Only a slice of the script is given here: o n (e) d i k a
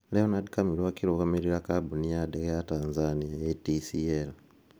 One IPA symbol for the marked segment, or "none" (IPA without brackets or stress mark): a